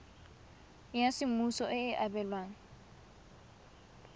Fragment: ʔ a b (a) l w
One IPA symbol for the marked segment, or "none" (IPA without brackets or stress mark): ɛ